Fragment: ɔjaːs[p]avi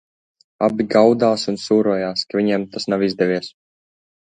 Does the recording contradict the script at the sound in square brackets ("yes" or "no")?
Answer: yes